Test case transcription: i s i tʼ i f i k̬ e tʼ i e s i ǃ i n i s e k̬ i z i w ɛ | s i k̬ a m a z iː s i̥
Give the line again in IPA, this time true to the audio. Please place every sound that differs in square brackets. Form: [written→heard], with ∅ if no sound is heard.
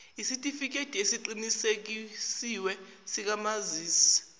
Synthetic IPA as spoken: i s i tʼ i f i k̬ e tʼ i e s i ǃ i n i s e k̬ i [z→s] i w ɛ | s i k̬ a m a z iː s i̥